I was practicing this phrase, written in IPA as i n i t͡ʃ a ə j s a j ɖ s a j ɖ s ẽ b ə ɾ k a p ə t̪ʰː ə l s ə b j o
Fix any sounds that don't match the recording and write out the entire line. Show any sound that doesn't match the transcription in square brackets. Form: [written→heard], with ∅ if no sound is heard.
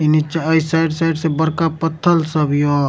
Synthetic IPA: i n i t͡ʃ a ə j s a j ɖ s a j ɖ s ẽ b ə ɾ k a p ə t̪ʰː ə l s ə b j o

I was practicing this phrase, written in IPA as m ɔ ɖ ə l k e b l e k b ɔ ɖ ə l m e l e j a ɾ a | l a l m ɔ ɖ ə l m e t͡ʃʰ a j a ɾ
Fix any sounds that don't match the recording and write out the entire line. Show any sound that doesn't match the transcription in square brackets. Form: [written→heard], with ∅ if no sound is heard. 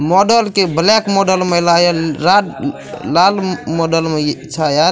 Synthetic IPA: m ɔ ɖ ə l k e b l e k [b→m] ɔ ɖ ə l m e l [e→a] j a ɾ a | l a l m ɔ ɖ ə l m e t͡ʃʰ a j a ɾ

